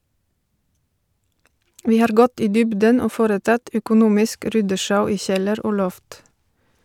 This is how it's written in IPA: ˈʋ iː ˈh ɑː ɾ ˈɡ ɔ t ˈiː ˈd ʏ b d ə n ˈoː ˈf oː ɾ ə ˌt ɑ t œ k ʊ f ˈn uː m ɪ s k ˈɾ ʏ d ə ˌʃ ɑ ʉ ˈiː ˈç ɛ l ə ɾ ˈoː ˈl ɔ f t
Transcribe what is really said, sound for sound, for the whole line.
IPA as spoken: ˈʋ iː ˈh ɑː ɾ ˈɡ ɔ t ˈiː ˈd ʏ b d ə n ˈoː ˈf oː ɾ ə ˌt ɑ t œ k ʊ ˈn uː m ɪ s k ˈɾ ʏ d ə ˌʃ ɑ ʉ ˈiː ˈç ɛ l ə ɾ ˈoː ˈl ɔ f t